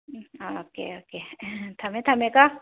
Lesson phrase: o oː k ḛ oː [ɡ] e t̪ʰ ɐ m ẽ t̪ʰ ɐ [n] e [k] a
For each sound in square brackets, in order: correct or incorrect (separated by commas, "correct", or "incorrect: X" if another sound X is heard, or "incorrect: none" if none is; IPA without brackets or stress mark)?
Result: incorrect: k, incorrect: m, correct